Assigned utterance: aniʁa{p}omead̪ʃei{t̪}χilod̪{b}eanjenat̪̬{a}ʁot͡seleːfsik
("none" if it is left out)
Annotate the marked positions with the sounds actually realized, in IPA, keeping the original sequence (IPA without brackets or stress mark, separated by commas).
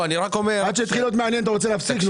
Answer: k, t̪, m, a